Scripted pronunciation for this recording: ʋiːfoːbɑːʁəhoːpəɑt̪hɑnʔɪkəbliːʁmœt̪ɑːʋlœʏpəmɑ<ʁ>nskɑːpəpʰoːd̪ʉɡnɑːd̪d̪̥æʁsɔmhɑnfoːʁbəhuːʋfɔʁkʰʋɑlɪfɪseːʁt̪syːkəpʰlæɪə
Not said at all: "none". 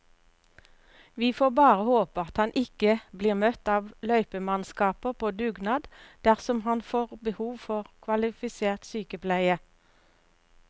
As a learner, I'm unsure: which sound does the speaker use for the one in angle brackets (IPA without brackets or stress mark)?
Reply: none